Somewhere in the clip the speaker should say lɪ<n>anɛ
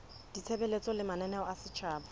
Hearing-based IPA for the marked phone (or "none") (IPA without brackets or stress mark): m